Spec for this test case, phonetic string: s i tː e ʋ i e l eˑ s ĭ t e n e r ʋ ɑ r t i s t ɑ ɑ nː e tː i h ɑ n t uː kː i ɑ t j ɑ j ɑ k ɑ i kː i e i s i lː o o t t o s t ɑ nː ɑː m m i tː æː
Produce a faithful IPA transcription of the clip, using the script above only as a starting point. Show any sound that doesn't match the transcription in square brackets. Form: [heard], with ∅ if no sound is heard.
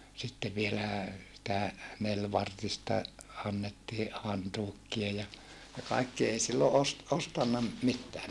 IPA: s i tː e ʋ i e l [æˑ] s ĭ t [æ] n e [l] ʋ ɑ r t i s t ɑ ɑ nː e tː [iː] h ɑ n t uː kː i ɑ [∅] j ɑ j ɑ k ɑ i kː i e i s i lː o o [s] t o s t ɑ nː [ɑ] m m i tː æː